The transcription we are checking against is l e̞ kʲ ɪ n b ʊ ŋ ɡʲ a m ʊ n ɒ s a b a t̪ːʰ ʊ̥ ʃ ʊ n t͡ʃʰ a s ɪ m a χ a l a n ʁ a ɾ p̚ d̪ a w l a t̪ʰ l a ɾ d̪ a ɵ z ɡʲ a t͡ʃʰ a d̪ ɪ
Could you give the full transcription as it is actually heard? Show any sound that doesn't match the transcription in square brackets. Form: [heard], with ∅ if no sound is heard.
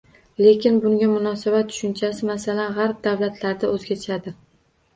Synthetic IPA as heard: l e̞ kʲ ɪ n b ʊ ŋ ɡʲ a m ʊ n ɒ s a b a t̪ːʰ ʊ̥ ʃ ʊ n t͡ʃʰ a s ɪ m a [s] a l a n ʁ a ɾ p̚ d̪ a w l a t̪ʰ l a ɾ d̪ a ɵ z ɡʲ a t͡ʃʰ a d̪ ɪ